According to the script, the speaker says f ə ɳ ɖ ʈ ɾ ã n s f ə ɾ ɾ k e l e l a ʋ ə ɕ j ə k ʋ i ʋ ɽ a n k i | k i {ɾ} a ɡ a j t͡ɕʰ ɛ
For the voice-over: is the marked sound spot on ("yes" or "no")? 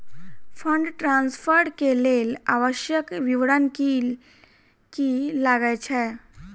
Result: no